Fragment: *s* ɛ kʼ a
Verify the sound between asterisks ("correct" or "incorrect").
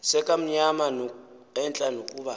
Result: correct